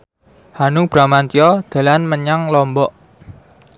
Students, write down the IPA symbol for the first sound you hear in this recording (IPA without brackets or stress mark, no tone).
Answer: h